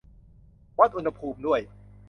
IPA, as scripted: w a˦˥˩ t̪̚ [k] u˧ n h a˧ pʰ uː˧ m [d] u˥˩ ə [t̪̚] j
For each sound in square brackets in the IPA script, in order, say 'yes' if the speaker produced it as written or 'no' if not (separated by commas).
no, yes, no